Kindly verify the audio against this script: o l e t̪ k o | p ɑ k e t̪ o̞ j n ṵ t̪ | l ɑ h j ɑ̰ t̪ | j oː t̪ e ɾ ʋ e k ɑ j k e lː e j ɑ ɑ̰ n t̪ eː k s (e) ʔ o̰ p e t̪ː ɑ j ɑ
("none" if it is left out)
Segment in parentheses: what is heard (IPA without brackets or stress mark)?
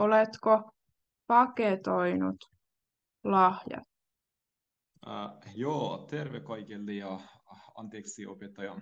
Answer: i